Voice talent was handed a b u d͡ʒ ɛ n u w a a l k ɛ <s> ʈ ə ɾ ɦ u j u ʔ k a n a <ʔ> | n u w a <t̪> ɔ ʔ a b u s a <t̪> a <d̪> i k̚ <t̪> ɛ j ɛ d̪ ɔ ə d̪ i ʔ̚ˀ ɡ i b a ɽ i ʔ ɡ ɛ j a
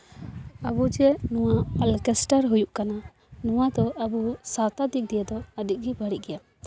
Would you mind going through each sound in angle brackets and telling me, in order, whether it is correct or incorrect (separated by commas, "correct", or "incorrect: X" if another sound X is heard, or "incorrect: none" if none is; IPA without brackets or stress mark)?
correct, incorrect: none, incorrect: d̪, correct, correct, incorrect: d̪